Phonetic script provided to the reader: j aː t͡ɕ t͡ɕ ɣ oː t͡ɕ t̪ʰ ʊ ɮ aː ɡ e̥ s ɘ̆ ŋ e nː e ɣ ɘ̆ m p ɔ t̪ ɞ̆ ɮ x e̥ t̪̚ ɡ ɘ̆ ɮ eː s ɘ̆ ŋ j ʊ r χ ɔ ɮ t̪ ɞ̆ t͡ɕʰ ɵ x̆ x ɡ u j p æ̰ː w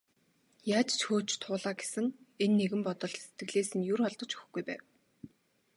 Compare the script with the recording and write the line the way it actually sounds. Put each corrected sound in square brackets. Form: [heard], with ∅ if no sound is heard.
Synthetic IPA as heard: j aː t͡ɕ t͡ɕ [x] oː t͡ɕ t̪ʰ [ʊː] ɮ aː ɡ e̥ s ɘ̆ ŋ e nː e ɣ ɘ̆ m p ɔ t̪ ɞ̆ ɮ [s] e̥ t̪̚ ɡ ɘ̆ ɮ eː s ɘ̆ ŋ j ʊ r χ ɔ ɮ t̪ ɞ̆ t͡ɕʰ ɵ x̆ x ɡ u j p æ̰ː w